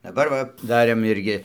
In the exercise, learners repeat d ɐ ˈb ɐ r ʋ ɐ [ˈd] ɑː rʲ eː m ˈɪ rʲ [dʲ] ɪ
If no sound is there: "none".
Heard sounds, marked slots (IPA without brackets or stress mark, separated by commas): d, ɡʲ